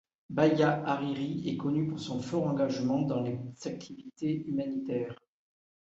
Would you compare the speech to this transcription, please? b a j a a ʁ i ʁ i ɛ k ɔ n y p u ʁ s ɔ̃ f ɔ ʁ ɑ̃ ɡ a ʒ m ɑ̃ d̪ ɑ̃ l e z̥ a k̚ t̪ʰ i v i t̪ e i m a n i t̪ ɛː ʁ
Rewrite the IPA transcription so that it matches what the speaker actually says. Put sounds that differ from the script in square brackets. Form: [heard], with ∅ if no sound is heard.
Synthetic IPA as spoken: b a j a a ʁ i ʁ i ɛ k ɔ n y p u ʁ s ɔ̃ f ɔ ʁ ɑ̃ ɡ a ʒ m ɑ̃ d̪ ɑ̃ l e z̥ a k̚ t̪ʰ i v i t̪ e [y] m a n i t̪ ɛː ʁ

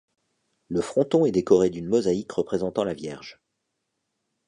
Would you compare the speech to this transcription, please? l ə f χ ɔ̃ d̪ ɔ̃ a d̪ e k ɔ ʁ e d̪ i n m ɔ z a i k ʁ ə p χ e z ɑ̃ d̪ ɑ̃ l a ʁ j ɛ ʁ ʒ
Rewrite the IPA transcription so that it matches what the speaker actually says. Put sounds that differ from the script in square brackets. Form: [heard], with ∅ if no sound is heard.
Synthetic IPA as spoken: l ə f χ ɔ̃ [t̪] ɔ̃ [ɛ] d̪ e k ɔ ʁ e d̪ [y] n m ɔ z a i k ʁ ə p χ e z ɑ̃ [t̪] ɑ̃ l a [v] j ɛ ʁ ʒ

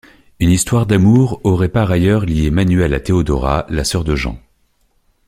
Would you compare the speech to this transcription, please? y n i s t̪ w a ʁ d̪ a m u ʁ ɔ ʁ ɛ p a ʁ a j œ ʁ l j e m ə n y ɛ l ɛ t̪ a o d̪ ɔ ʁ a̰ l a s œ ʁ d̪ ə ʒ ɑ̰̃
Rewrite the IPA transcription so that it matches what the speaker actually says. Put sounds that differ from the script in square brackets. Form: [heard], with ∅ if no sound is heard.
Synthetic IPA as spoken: y n i s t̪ w a ʁ d̪ a m u ʁ ɔ ʁ ɛ p a ʁ a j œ ʁ l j e m [a] n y ɛ l [a] t̪ [e] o d̪ ɔ ʁ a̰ l a s œ ʁ d̪ ə ʒ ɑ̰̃

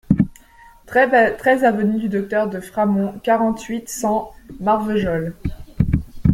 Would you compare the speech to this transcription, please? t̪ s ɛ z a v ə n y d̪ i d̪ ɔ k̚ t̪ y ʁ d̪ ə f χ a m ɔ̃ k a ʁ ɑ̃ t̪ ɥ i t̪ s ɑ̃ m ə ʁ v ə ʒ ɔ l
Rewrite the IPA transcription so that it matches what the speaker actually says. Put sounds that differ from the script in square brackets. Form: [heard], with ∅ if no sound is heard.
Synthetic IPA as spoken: t̪ [χ] ɛ z a v ə n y d̪ [y] d̪ ɔ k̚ t̪ [œ] ʁ d̪ ə f χ a m ɔ̃ k a ʁ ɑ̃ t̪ ɥ i t̪ s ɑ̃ m [a] ʁ v ə ʒ ɔ l

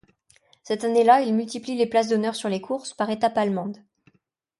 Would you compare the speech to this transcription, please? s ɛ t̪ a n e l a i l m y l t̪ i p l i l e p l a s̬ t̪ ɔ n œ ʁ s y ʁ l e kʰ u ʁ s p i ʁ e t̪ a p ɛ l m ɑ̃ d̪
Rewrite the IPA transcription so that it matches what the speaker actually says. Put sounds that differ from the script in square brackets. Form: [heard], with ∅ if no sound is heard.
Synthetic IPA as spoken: s ɛ t̪ a n e l a i l m y l t̪ i p l i l e p l a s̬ [d̪] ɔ n œ ʁ s y ʁ l e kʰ u ʁ s p [a] ʁ e t̪ a p [a] l m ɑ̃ d̪

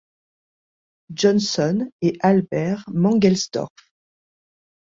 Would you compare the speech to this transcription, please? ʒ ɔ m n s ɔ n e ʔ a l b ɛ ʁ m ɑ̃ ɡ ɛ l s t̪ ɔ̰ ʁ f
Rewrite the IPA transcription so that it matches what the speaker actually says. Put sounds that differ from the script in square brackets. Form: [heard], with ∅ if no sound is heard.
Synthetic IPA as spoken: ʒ ɔ [∅] n s ɔ n e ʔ a l b ɛ ʁ m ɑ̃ ɡ ɛ l s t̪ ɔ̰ ʁ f

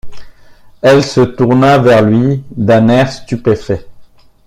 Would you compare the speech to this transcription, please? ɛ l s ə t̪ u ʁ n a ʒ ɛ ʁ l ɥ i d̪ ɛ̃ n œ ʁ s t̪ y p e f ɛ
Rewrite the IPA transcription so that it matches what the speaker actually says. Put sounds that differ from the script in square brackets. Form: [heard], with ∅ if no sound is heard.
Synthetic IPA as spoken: ɛ l s ə t̪ u ʁ n a [v] ɛ ʁ l ɥ i d̪ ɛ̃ n [ɛ] ʁ s t̪ y p e f ɛ

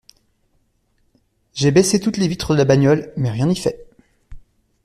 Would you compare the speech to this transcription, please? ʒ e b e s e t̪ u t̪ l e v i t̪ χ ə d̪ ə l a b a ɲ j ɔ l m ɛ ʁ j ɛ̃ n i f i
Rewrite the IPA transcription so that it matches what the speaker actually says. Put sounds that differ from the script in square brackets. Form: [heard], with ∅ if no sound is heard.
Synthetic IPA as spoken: ʒ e b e s e t̪ u t̪ l e v i t̪ χ ə d̪ ə l a b a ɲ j ɔ l m ɛ ʁ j ɛ̃ n i f [ɛ]

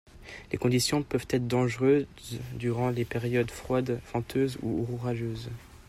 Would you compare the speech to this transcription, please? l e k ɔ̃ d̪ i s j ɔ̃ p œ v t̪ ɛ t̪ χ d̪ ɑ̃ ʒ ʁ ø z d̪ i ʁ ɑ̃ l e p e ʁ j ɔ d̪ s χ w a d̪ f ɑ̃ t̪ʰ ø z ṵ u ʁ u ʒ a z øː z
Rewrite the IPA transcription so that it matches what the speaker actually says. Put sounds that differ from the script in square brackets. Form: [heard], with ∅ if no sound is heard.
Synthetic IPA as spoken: l e k ɔ̃ d̪ i s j ɔ̃ p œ v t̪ ɛ t̪ χ d̪ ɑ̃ ʒ ʁ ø z d̪ [y] ʁ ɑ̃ l e p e ʁ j ɔ d̪ [f] χ w a d̪ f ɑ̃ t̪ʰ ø z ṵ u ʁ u [ʁ] a [ʒ] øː z

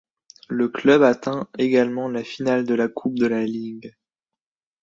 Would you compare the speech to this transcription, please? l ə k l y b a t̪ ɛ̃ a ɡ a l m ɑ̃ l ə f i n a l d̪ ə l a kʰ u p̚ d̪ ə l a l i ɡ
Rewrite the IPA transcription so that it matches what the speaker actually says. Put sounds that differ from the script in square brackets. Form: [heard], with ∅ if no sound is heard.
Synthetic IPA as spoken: l ə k l [œ] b a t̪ ɛ̃ [e] ɡ a l m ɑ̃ l [a] f i n a l d̪ ə l a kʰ u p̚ d̪ ə l a l i ɡ

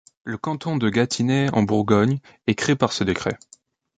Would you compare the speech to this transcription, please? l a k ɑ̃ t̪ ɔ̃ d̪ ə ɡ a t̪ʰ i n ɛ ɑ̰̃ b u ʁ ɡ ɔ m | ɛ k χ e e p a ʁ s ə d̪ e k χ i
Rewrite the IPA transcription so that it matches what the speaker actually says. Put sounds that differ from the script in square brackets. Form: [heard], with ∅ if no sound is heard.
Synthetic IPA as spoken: l [ə] k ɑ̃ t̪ ɔ̃ d̪ ə ɡ a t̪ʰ i n ɛ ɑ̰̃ b u ʁ ɡ ɔ [ɲ] | ɛ k χ e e p a ʁ s ə d̪ e k χ [ɛ]

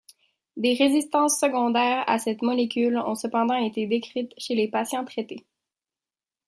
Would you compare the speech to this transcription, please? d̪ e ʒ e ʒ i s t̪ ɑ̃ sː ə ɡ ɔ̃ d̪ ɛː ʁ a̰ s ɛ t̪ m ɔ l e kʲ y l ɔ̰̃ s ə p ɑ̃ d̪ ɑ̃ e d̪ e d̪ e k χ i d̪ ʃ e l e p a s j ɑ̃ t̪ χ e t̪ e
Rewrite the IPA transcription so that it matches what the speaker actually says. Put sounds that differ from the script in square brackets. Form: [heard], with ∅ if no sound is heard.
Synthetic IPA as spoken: d̪ e [ʁ] e [z] i s t̪ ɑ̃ sː ə ɡ ɔ̃ d̪ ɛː ʁ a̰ s ɛ t̪ m ɔ l e kʲ y l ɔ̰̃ s ə p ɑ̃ d̪ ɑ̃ e [t̪] e d̪ e k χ i [t̪] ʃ e l e p a s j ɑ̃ t̪ χ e t̪ e

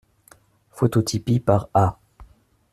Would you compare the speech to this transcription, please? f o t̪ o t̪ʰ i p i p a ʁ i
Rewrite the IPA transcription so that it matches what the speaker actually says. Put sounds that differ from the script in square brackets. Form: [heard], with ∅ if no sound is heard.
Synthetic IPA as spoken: f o t̪ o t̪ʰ i p i p a ʁ [a]

